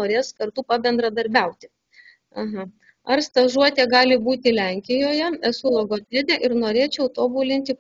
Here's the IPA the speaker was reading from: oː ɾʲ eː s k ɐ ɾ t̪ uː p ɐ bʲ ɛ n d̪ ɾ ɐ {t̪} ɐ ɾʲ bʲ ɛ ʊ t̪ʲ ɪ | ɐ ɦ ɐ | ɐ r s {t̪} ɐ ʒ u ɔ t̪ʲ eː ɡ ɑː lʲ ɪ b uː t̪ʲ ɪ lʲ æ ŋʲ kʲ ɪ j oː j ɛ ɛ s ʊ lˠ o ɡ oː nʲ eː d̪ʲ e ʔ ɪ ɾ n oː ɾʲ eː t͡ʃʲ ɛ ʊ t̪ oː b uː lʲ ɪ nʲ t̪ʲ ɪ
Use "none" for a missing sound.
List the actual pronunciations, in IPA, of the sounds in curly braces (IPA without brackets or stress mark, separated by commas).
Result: d̪, t̪